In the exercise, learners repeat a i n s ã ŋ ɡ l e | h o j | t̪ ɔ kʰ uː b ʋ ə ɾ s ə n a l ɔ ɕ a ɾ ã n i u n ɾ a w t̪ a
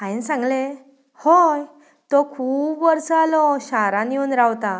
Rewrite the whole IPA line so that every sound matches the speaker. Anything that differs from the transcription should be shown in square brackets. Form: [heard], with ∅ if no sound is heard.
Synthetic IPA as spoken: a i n s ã ŋ ɡ l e | h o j | t̪ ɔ kʰ uː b ʋ ə ɾ s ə [∅] a l ɔ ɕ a ɾ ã n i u n ɾ a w t̪ a